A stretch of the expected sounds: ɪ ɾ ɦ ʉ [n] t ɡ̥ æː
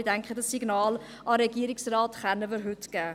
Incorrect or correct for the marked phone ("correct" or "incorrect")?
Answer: incorrect